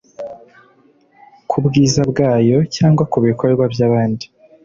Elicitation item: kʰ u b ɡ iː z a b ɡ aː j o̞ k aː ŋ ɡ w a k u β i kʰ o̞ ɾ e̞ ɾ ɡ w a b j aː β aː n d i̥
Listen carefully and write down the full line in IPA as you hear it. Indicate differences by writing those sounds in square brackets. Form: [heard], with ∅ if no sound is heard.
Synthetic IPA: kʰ u b ɡ iː z a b ɡ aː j o̞ [c] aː ŋ ɡ w a k u β i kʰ o̞ ɾ e̞ ɾ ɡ w a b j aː β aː n d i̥